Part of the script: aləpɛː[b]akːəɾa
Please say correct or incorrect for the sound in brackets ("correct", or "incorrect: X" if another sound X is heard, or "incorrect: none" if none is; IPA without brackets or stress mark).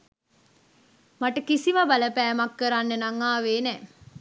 incorrect: m